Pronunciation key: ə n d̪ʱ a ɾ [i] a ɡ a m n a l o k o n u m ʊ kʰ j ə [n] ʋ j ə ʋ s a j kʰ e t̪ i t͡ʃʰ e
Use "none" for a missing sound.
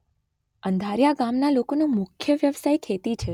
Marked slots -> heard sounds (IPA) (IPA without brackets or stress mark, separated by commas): j, none